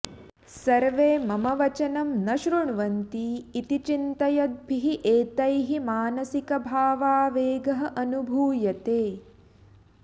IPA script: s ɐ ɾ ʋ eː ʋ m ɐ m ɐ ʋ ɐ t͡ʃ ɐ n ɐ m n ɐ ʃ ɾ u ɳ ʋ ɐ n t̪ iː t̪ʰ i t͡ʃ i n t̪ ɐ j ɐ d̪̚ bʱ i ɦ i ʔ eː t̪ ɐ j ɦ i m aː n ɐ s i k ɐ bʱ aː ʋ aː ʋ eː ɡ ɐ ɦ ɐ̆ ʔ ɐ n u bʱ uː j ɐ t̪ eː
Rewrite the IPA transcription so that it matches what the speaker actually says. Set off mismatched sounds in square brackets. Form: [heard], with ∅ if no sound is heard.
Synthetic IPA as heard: s ɐ ɾ ʋ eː [∅] m ɐ m ɐ ʋ ɐ t͡ʃ ɐ n ɐ m n ɐ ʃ ɾ u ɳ ʋ ɐ n t̪ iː [t̪] i t͡ʃ i n t̪ ɐ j ɐ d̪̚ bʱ i ɦ i ʔ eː t̪ ɐ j ɦ i m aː n ɐ s i k ɐ bʱ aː ʋ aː ʋ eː ɡ ɐ ɦ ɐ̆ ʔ ɐ n u bʱ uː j ɐ t̪ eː